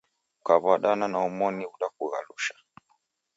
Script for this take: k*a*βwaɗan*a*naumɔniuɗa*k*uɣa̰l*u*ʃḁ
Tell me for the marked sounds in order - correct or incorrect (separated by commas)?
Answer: correct, correct, correct, correct